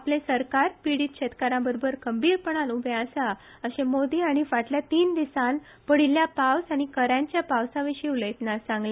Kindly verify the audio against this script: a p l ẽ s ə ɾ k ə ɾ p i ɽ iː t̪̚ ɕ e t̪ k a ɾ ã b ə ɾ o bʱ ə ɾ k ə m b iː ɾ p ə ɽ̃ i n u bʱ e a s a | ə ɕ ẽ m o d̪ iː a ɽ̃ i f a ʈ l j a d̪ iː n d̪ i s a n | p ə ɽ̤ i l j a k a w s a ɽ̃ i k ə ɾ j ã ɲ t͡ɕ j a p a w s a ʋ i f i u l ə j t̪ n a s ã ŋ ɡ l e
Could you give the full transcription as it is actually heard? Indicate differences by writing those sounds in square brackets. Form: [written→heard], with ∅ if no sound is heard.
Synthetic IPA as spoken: a p l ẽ s ə ɾ k [ə→a] ɾ p i ɽ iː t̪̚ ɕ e t̪ k a ɾ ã b ə ɾ o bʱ ə ɾ k ə m b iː ɾ p ə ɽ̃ [i→a] n u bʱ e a s a | ə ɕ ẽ m o d̪ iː a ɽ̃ i f a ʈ l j a [d̪→t̪] iː n d̪ i s a n | p ə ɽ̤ i l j a [k→p] a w s a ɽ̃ i k ə ɾ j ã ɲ t͡ɕ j a p a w s a ʋ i [f→ɕ] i u l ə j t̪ n a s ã ŋ ɡ l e